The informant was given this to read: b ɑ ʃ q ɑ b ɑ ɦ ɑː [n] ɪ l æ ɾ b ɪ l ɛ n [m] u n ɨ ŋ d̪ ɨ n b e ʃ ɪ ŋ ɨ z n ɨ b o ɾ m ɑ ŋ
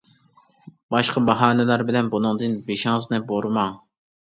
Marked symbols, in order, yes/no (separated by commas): yes, no